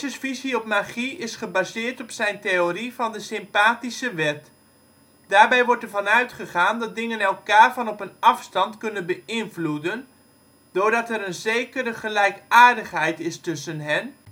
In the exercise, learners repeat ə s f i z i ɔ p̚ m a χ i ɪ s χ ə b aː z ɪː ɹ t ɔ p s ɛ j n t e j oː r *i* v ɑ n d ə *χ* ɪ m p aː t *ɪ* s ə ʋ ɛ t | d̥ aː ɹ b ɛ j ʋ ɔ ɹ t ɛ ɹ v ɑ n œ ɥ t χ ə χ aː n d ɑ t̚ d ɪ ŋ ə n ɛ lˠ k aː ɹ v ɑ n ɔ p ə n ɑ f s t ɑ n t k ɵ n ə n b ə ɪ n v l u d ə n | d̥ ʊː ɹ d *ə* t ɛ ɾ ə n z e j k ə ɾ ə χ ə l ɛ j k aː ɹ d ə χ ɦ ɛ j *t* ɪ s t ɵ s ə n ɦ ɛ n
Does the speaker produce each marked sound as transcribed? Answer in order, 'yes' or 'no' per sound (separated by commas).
yes, no, no, no, yes